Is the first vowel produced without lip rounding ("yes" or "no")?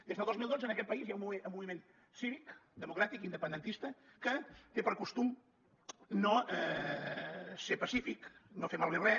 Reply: yes